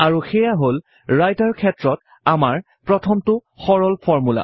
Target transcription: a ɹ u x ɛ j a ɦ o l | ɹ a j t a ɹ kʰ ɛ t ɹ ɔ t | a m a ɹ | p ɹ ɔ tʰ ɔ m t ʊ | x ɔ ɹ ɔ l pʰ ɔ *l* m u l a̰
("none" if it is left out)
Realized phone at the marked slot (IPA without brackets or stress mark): ɹ